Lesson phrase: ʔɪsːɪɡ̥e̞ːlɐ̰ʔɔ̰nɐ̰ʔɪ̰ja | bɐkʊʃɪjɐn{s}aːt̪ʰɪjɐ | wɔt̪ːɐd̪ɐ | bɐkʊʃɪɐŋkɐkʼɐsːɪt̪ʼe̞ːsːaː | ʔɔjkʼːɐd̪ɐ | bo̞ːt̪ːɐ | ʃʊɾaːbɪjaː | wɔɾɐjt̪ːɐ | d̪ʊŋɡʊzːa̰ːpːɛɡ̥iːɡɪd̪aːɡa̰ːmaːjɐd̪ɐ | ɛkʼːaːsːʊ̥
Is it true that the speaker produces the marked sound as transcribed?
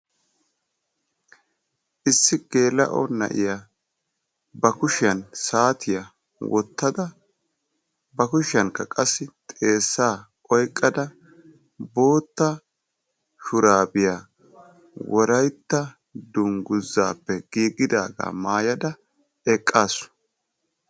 yes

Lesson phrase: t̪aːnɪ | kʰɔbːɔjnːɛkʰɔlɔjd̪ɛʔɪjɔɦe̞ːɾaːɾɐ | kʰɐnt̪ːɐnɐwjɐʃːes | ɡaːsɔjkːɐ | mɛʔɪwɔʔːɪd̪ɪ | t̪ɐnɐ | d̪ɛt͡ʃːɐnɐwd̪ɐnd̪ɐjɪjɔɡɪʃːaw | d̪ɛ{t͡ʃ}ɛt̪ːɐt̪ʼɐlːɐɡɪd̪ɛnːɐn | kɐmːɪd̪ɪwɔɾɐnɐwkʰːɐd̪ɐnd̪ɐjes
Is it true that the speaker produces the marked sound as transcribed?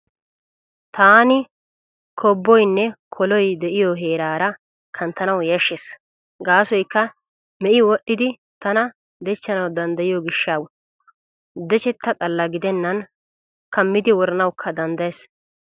yes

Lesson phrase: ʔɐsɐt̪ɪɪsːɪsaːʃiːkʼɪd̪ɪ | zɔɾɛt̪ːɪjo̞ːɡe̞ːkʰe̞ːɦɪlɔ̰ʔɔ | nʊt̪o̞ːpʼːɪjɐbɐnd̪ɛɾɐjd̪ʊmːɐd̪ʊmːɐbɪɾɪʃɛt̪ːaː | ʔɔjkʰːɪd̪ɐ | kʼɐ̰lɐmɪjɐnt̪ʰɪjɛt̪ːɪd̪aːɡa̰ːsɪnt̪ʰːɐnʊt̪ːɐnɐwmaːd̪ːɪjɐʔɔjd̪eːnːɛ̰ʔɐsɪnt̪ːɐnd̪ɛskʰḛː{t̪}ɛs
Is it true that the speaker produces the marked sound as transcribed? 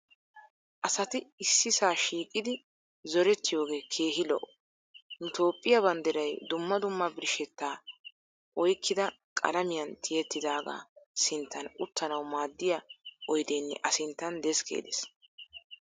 no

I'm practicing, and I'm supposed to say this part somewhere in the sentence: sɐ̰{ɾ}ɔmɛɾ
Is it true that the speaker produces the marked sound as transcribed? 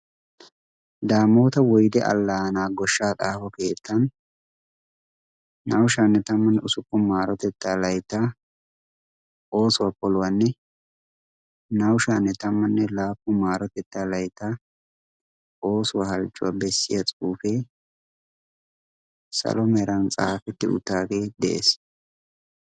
no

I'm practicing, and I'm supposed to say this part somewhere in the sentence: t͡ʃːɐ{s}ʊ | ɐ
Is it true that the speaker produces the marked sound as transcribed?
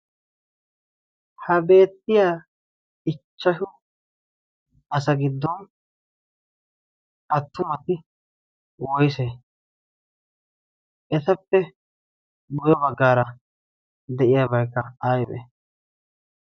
no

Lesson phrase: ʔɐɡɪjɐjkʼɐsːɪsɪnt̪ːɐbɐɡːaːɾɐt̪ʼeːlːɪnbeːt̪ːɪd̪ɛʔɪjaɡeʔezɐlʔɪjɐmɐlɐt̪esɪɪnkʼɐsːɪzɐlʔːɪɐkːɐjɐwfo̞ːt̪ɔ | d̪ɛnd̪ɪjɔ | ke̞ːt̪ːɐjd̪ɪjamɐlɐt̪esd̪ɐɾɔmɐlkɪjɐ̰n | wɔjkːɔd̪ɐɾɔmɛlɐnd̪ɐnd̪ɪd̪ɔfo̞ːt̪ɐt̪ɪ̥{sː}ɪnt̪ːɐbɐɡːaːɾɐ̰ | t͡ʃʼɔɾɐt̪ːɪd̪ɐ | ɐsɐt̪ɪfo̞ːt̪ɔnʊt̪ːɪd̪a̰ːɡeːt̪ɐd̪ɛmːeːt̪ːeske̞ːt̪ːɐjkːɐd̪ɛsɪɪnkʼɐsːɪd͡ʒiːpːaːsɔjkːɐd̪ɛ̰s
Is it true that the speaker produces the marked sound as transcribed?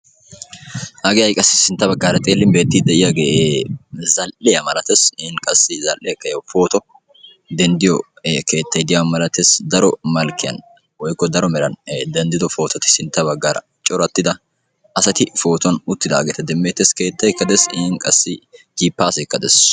no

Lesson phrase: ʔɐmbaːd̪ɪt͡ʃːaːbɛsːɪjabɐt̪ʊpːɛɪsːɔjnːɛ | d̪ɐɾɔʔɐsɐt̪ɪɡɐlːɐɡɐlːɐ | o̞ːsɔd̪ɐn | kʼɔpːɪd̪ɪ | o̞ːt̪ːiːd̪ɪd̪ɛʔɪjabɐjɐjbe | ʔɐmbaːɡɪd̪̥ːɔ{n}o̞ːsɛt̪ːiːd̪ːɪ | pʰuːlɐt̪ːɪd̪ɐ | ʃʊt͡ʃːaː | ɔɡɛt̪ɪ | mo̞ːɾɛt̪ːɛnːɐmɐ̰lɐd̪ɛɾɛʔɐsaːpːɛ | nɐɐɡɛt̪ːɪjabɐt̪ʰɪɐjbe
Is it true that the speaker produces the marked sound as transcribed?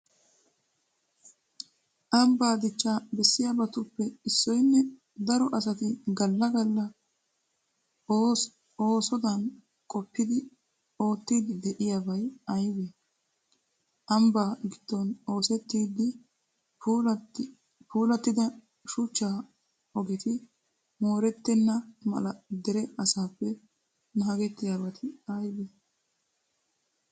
yes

